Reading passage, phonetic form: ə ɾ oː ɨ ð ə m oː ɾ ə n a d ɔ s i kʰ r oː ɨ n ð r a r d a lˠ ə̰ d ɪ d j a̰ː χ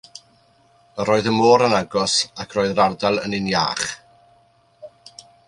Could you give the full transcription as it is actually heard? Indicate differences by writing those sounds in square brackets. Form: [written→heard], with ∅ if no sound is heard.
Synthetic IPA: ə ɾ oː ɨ ð ə m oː ɾ ə n a [d→ɡ] ɔ s [i→a] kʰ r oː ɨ [n→∅] ð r a r d a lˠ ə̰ [d→n] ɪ [d→n] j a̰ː χ